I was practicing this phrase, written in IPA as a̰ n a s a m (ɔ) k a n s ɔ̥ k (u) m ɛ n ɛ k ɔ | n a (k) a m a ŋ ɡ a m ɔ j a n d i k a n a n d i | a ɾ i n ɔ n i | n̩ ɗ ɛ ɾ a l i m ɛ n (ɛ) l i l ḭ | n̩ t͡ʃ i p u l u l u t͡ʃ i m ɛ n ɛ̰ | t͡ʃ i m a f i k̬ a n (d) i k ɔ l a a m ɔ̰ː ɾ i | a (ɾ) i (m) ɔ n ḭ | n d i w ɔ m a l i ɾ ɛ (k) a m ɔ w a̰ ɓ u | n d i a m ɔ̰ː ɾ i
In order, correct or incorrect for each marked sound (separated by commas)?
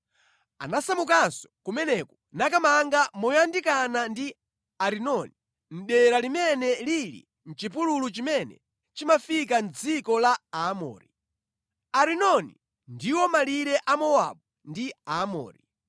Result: incorrect, correct, correct, correct, incorrect, correct, incorrect, incorrect